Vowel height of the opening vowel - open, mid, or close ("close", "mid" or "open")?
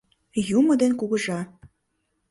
close